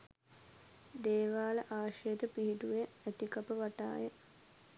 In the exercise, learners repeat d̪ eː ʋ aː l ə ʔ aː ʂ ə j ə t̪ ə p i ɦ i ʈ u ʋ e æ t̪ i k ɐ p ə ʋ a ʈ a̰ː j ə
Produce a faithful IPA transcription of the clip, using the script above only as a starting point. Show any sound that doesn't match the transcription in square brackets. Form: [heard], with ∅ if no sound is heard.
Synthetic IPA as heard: d̪ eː ʋ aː l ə ʔ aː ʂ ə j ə t̪ ə p i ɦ i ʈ u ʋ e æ t̪ i k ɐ p ə ʋ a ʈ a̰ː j ə